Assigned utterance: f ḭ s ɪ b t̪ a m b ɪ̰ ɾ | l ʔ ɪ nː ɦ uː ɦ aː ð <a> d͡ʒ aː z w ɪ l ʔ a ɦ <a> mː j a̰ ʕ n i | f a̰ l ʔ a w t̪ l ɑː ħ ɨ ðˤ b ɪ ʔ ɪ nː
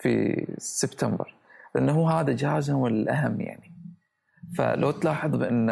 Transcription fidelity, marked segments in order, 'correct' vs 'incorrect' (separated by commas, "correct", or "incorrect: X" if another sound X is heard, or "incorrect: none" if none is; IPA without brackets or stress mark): correct, correct